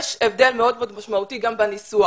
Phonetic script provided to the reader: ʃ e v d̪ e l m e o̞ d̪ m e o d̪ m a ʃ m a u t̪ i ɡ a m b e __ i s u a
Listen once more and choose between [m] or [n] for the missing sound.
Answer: n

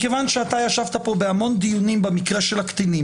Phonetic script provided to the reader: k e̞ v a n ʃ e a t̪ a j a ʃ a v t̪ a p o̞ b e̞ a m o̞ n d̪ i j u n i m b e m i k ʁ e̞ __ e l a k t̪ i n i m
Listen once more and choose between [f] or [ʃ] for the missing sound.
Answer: ʃ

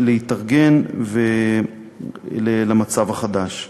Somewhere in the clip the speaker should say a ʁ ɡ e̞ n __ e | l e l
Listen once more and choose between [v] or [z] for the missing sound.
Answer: v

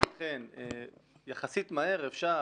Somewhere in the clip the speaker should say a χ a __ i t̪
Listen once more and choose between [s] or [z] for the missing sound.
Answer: s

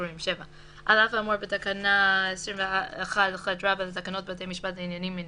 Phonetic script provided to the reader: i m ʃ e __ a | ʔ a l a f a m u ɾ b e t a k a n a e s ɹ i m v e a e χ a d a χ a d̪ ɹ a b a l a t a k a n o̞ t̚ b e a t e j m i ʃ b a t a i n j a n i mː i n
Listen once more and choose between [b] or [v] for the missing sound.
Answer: v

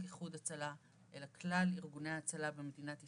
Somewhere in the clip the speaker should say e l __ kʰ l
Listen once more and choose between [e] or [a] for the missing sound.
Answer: a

